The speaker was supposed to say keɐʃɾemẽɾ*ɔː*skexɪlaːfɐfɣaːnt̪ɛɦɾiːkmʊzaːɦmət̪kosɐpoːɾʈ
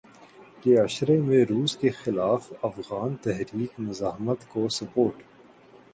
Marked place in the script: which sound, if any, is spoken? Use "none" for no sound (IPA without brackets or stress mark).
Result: uː